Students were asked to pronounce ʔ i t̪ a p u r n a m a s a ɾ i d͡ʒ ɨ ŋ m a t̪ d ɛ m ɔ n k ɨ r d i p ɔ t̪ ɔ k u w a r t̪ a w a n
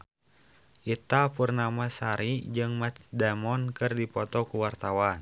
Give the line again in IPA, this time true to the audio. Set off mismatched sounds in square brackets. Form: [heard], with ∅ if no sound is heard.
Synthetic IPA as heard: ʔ i t̪ a p u r n a m a s a ɾ i d͡ʒ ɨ ŋ m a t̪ d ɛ m ɔ n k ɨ r d i p ɔ t̪ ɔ k u w a r t̪ a w a n